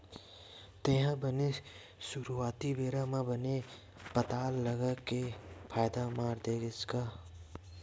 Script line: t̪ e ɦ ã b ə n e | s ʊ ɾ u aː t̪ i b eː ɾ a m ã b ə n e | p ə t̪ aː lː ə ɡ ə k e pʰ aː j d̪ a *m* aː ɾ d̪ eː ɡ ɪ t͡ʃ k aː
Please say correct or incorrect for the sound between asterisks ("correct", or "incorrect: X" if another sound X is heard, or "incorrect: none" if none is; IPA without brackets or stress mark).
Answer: correct